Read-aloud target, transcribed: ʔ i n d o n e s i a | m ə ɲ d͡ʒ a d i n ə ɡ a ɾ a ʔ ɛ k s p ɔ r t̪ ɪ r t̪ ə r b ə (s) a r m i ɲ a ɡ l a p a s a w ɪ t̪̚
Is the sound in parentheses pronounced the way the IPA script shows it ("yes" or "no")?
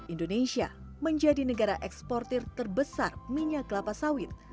yes